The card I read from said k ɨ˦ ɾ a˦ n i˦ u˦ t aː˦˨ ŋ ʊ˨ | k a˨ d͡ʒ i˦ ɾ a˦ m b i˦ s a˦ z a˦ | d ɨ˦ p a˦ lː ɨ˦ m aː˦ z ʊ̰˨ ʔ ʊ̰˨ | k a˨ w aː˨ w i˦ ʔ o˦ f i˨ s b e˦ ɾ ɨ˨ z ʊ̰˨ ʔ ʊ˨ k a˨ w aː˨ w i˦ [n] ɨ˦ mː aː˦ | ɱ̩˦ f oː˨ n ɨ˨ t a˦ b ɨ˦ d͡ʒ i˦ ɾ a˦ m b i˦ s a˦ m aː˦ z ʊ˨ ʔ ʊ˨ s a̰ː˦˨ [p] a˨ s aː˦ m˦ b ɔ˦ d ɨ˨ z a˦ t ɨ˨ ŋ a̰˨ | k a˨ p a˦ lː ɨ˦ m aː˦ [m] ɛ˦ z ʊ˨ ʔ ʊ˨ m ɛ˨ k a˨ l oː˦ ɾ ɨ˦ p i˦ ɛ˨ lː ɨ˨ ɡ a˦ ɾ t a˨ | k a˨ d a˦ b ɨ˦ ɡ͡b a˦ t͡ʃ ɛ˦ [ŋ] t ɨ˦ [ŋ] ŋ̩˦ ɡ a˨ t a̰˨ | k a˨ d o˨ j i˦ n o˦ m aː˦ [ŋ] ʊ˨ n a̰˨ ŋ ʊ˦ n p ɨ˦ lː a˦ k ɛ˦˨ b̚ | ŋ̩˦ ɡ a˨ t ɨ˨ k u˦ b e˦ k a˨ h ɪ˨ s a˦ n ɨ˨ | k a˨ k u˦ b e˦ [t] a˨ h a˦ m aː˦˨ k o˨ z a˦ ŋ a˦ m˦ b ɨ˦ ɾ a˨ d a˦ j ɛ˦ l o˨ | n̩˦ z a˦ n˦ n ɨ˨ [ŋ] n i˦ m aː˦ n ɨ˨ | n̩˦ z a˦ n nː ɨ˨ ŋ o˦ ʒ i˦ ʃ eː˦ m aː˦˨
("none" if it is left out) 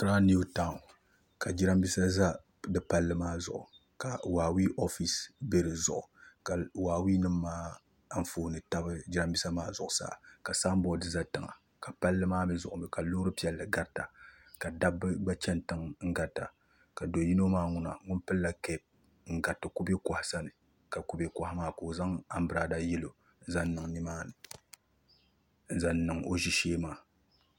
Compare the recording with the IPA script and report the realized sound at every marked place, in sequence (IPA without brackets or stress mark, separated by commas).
n, k, m, n, ŋ, ŋ, k, ŋ